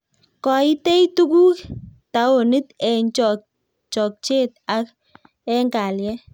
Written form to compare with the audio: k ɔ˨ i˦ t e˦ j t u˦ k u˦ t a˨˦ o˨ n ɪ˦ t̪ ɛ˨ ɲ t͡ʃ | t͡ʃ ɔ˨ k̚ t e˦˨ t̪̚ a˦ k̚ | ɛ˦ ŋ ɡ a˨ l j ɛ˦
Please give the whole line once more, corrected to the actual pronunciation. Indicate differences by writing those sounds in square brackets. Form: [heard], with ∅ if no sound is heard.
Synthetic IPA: k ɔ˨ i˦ t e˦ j t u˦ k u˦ t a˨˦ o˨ n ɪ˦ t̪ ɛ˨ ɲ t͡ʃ | t͡ʃ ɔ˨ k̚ [t͡ʃ] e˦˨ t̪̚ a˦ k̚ | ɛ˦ ŋ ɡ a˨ l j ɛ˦